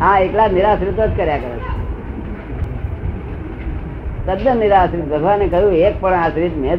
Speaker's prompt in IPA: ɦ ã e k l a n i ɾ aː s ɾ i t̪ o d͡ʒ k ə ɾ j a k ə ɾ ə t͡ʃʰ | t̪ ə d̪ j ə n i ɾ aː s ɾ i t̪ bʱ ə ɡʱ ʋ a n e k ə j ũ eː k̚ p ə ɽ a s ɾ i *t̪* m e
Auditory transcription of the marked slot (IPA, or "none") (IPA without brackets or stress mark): t̪